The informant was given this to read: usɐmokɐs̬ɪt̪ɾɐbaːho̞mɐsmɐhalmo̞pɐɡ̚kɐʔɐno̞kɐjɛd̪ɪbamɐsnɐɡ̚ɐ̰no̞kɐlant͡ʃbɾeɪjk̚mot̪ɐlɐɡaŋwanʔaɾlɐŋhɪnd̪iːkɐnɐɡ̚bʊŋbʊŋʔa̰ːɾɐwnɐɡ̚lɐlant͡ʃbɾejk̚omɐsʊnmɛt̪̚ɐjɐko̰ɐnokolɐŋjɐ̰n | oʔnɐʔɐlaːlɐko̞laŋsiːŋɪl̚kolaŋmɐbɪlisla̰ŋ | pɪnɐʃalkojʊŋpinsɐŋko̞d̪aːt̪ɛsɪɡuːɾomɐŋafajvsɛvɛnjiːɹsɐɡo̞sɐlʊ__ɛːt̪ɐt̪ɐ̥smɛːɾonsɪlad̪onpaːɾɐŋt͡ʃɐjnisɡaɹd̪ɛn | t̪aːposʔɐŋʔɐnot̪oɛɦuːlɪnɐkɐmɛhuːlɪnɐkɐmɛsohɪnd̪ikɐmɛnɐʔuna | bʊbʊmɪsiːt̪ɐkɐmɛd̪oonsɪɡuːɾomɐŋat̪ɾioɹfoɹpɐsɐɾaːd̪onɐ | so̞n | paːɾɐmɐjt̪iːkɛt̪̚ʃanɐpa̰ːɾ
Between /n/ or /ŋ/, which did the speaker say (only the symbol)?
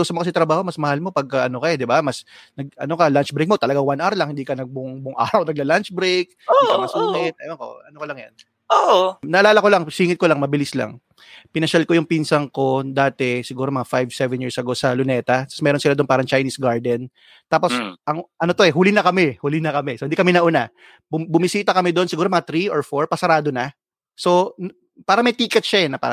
n